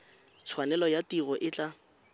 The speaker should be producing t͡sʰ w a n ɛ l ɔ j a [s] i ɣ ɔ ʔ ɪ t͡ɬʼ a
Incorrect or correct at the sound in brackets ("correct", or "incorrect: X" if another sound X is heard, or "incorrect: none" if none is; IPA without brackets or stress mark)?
incorrect: t